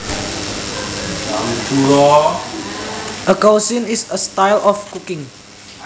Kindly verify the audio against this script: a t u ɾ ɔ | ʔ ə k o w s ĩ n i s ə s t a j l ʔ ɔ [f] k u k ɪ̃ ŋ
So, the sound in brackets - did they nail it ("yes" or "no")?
yes